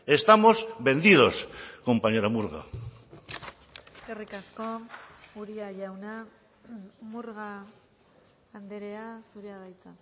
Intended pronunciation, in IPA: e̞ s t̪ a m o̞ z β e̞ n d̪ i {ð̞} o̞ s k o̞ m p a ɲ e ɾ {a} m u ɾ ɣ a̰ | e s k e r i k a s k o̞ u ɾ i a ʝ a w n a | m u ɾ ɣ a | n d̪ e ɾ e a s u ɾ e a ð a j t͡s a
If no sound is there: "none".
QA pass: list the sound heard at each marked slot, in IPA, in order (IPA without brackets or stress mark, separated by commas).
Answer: ð̞, a